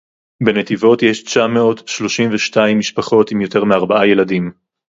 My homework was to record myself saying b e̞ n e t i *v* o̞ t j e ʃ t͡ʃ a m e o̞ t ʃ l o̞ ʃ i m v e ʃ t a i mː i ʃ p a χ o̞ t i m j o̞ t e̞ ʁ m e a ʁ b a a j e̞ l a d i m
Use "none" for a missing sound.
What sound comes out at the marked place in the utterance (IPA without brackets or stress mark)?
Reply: v